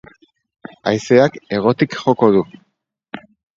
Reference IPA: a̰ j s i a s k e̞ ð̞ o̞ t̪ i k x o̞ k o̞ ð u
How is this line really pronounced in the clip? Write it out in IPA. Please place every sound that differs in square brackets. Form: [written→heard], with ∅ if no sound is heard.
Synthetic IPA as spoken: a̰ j s [i→e] a [s→∅] k e̞ [ð̞→ɣ̞] o̞ t̪ i k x o̞ k o̞ ð u

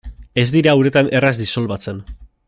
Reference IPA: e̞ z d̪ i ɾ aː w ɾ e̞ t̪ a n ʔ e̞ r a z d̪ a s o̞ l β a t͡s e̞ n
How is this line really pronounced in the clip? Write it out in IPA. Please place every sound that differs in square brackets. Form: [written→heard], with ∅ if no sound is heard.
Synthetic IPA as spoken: e̞ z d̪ i ɾ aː w ɾ e̞ t̪ a n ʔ e̞ r a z d̪ [a→i] s o̞ l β a t͡s e̞ n

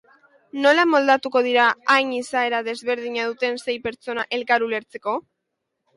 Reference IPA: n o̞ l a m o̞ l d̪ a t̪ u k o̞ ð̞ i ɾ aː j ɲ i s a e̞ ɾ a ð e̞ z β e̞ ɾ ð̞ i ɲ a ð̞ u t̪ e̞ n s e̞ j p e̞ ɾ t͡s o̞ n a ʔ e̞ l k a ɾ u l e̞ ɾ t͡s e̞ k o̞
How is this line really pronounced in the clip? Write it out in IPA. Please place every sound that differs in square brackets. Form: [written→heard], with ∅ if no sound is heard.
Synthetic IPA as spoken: n o̞ l a m o̞ l d̪ a t̪ u k o̞ ð̞ i ɾ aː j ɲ i s a e̞ ɾ a ð e̞ z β e̞ ɾ ð̞ i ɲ a ð̞ u t̪ e̞ n s e̞ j p e̞ ɾ t͡s o̞ n a ʔ e̞ l k a ɾ u l e̞ ɾ t͡s e̞ k o̞

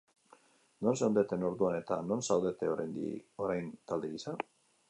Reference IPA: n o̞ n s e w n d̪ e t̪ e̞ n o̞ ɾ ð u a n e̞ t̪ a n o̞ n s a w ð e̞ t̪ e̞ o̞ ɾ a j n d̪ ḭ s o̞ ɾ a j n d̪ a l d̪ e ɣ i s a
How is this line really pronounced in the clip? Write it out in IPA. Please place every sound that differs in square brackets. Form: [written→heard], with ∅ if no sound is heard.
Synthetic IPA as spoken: n o̞ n s e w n d̪ e t̪ e̞ n o̞ ɾ ð u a n e̞ t̪ a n o̞ n s a w ð e̞ t̪ e̞ o̞ ɾ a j n d̪ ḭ [s→∅] o̞ ɾ a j n [d̪→t̪] a l d̪ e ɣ i s a

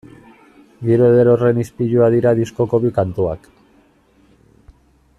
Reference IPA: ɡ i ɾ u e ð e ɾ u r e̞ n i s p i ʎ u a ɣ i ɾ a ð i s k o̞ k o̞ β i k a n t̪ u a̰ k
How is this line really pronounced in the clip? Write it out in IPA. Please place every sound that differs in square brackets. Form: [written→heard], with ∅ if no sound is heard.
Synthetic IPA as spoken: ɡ i ɾ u e ð e ɾ [u→o] r e̞ n i s p i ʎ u a [ɣ→ð] i ɾ a ð i s k o̞ k o̞ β i k a n t̪ u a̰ k

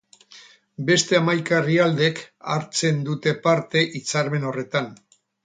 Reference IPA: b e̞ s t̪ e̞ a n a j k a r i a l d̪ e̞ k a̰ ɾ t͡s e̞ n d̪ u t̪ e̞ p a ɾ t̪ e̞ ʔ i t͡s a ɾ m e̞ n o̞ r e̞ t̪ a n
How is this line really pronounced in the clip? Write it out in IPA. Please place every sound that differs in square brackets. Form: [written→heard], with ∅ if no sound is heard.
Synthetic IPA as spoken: b e̞ s t̪ e̞ a [n→m] a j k a r i a l d̪ e̞ k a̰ ɾ t͡s e̞ n d̪ u t̪ e̞ p a ɾ t̪ e̞ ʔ i t͡s a ɾ m e̞ n o̞ r e̞ t̪ a n

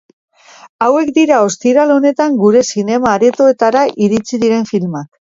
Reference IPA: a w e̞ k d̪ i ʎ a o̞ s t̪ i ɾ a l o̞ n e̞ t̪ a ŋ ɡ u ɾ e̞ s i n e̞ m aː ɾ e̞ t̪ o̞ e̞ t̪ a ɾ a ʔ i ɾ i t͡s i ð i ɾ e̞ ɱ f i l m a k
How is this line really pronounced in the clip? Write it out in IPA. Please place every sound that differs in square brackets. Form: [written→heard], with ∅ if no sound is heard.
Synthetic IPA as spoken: a w e̞ k d̪ i [ʎ→ɾ] a o̞ s t̪ i ɾ a l o̞ n e̞ t̪ a ŋ ɡ u ɾ e̞ s i n e̞ m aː ɾ e̞ t̪ o̞ e̞ t̪ a ɾ a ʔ i ɾ i t͡s i ð i ɾ e̞ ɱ f i l m a k

